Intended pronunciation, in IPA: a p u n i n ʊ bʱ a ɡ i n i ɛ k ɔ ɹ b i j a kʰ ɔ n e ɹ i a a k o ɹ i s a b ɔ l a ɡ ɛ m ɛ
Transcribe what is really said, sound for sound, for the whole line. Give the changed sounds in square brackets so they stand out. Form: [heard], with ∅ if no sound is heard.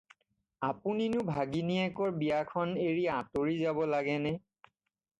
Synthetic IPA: a p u n i n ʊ bʱ a ɡ i n i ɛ k ɔ ɹ b i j a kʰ ɔ n e ɹ i a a [t] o ɹ i [z] a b ɔ l a ɡ ɛ [n] ɛ